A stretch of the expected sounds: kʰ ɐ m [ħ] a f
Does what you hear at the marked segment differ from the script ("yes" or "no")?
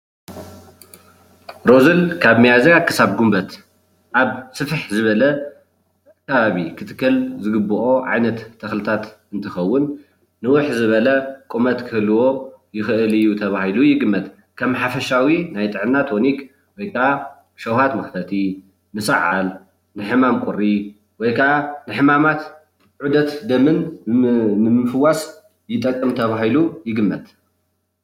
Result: no